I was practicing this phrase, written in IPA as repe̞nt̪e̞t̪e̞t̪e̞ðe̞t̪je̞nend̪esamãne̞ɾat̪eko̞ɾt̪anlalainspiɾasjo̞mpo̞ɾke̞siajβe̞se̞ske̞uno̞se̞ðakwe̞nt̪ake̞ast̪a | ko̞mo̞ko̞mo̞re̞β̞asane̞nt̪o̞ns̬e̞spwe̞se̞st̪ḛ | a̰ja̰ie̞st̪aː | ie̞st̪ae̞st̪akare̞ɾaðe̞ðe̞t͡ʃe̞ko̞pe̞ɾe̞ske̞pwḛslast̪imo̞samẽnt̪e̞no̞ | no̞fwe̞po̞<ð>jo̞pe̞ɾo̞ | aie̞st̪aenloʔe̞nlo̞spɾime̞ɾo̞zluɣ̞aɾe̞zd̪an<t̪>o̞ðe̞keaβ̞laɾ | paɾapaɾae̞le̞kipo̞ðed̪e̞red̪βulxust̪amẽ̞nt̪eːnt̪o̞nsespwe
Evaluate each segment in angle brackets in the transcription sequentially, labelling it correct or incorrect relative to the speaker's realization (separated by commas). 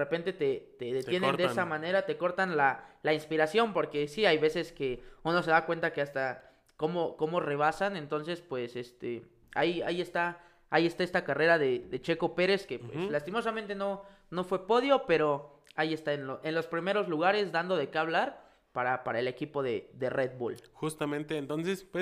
correct, incorrect